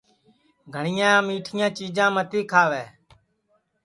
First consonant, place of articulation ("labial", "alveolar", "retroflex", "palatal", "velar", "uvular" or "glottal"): velar